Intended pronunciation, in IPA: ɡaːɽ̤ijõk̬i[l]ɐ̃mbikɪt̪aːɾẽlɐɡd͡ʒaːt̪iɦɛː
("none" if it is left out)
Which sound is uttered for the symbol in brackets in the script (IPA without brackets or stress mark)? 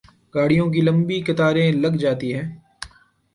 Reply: l